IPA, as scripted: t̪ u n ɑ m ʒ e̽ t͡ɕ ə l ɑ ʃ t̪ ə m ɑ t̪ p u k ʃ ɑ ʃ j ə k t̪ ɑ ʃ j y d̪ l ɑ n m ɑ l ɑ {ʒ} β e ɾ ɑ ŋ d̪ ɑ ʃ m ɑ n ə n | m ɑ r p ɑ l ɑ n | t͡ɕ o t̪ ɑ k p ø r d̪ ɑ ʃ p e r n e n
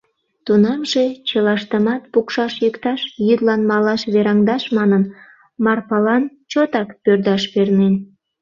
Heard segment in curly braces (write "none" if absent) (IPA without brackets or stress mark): ʃ